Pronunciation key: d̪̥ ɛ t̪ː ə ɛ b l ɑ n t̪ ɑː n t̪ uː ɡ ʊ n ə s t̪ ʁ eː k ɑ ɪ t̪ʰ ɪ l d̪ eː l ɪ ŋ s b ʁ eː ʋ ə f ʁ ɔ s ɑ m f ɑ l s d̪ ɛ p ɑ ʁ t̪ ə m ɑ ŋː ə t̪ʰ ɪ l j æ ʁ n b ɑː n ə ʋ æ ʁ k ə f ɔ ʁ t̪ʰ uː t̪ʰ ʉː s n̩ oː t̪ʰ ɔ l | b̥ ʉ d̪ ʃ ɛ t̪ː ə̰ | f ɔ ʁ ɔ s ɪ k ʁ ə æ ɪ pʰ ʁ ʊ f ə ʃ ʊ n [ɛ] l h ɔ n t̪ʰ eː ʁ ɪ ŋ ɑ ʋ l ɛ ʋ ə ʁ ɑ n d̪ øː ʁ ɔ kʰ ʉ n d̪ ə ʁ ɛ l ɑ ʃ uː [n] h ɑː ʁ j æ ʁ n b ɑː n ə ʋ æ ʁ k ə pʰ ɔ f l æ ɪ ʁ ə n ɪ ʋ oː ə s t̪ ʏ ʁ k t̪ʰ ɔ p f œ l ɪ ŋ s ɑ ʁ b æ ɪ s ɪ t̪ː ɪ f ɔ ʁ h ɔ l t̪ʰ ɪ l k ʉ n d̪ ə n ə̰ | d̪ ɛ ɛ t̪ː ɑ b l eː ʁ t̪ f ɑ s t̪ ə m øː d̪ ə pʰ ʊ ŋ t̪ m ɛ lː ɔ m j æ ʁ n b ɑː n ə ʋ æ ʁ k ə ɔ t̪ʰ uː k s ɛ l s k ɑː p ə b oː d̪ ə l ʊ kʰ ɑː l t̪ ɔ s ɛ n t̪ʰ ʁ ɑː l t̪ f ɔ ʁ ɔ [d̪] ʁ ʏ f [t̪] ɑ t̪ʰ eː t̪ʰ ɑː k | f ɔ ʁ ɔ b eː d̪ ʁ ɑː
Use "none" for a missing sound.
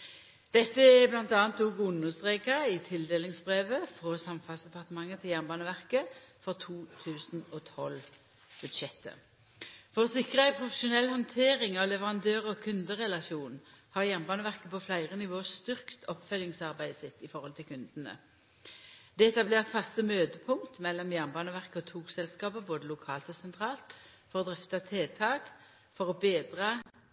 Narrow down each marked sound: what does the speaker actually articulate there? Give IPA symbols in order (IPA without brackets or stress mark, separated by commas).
ɛ, n, d̪, t̪